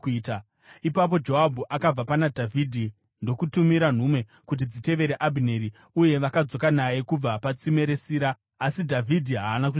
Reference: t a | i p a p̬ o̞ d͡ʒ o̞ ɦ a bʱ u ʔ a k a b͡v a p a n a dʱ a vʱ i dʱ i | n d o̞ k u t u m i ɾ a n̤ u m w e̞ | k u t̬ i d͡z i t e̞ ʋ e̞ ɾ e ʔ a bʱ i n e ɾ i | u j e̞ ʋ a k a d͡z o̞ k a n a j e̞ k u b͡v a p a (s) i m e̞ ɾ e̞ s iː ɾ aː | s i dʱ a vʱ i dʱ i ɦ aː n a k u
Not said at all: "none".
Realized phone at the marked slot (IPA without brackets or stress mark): t͡s